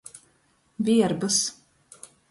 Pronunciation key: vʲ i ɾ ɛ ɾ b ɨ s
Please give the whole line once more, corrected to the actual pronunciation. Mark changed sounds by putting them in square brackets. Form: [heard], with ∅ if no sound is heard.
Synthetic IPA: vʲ i [∅] ɛ ɾ b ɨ s